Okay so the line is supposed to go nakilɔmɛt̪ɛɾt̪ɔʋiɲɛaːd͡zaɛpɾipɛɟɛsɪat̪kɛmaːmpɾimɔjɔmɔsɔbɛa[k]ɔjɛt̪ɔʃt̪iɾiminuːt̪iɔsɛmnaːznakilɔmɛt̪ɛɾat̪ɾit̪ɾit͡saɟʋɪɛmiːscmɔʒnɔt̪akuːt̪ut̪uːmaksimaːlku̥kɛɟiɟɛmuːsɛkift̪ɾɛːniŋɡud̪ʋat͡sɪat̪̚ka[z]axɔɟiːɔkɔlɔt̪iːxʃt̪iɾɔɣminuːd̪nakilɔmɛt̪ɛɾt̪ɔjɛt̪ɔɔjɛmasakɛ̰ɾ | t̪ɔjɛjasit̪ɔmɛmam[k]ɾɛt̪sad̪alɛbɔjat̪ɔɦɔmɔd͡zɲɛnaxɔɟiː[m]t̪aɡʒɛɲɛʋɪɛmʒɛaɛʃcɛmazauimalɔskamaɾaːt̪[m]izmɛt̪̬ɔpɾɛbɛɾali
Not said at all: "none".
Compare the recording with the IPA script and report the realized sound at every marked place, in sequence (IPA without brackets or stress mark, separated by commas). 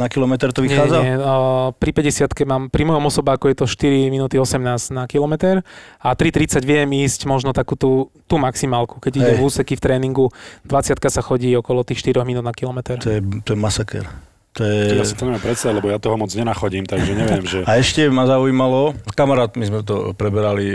k, s, p, m, m